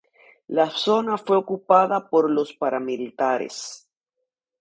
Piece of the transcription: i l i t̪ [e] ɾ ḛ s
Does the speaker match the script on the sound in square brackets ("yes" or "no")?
no